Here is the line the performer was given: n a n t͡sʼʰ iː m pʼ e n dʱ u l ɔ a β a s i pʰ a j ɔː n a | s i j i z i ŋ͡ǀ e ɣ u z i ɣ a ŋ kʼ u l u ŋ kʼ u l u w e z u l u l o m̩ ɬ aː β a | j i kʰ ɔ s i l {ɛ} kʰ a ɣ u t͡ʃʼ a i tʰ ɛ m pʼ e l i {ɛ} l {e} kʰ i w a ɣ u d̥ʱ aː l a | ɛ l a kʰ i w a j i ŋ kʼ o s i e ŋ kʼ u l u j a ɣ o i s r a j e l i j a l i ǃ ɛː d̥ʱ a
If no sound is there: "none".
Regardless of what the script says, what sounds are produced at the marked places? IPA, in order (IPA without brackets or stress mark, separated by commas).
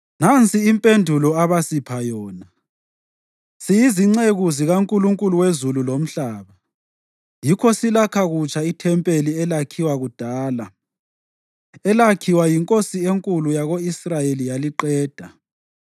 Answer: a, ɛ, a